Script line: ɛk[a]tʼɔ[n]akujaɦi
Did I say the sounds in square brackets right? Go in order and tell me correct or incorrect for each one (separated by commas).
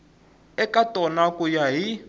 correct, correct